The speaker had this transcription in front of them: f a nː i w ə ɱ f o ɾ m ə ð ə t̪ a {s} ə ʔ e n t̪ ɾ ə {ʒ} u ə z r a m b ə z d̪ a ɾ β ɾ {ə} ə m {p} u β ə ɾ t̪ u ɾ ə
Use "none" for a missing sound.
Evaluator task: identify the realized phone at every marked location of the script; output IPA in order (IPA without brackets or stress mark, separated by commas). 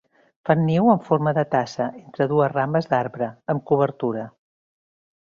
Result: s, ð, ə, k